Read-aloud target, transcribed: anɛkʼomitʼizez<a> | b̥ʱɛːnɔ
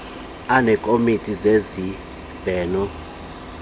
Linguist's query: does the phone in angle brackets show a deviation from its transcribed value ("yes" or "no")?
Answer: yes